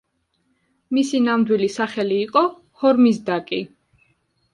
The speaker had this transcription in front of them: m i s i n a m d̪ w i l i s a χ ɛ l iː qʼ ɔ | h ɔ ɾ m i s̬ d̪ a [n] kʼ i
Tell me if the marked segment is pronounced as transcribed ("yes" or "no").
no